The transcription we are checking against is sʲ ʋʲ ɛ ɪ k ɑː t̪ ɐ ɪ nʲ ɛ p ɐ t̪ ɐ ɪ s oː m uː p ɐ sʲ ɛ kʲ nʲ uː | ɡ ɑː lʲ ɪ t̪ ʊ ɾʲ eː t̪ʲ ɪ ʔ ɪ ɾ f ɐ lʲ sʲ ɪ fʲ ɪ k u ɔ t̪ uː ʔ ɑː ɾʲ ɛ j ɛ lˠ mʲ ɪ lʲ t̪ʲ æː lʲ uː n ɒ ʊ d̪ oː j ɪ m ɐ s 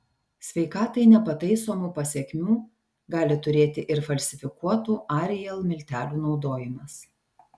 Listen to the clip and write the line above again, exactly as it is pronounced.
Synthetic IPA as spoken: sʲ ʋʲ ɛ ɪ k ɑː t̪ ɐ ɪ nʲ ɛ p ɐ t̪ ɐ ɪ s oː m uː p ɐ sʲ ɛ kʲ mʲ uː | ɡ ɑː lʲ ɪ t̪ ʊ ɾʲ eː t̪ʲ ɪ ʔ ɪ ɾ f ɐ lʲ sʲ ɪ fʲ ɪ k u ɔ t̪ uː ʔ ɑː ɾʲ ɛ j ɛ lˠ mʲ ɪ lʲ t̪ʲ æː lʲ uː n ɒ ʊ d̪ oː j ɪ m ɐ s